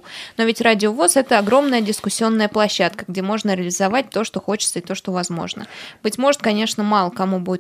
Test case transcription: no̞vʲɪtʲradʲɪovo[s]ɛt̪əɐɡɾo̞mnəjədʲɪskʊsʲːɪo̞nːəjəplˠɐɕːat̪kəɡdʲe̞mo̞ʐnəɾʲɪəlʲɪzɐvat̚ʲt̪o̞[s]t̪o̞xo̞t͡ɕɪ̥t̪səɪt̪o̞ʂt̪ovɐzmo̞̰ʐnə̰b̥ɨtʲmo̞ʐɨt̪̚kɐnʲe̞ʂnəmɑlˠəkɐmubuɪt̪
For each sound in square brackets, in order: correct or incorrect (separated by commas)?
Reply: correct, incorrect